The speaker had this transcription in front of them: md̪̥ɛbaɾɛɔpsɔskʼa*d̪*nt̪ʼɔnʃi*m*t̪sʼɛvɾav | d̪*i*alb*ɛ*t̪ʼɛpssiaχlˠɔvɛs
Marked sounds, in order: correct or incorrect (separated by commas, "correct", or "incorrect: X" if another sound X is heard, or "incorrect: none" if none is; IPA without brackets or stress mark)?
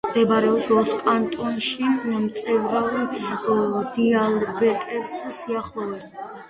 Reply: incorrect: none, correct, correct, correct